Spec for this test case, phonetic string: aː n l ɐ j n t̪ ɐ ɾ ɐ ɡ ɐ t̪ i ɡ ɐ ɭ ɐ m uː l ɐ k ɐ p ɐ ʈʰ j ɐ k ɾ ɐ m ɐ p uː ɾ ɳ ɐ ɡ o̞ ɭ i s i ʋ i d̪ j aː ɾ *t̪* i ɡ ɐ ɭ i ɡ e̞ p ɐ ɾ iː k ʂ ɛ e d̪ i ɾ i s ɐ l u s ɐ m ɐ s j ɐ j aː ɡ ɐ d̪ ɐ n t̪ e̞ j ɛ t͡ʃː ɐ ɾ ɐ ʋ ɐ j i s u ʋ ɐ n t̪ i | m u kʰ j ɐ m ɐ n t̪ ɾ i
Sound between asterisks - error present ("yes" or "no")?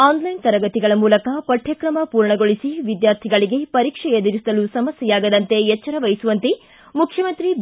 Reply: yes